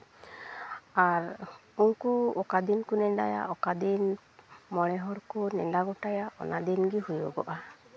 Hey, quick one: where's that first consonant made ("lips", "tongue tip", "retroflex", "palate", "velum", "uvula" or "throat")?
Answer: tongue tip